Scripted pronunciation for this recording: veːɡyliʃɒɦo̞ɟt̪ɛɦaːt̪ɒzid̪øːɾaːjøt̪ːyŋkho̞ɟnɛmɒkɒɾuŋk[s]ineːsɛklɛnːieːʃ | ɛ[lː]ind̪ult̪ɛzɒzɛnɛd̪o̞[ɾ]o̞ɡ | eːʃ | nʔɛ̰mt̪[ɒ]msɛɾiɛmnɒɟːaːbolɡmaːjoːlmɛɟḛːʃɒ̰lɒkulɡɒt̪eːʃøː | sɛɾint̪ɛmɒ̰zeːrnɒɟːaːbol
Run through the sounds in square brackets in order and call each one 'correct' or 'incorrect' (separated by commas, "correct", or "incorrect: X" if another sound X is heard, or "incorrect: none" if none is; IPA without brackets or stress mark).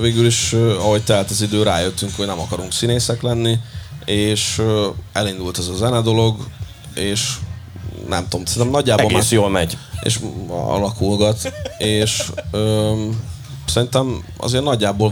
correct, incorrect: l, incorrect: l, incorrect: o